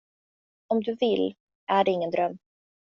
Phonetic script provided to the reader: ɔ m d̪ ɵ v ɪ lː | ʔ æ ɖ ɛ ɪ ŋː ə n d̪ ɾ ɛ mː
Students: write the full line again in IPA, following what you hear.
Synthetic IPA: ɔ m d̪ ɵ v ɪ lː | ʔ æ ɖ ɛ ɪ ŋː ə n d̪ ɾ œ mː